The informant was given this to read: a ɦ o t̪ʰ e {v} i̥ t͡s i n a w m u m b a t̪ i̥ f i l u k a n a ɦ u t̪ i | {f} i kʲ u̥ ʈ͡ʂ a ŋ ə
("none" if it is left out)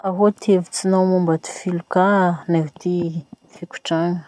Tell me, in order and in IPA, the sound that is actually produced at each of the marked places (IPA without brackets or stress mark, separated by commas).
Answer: v, f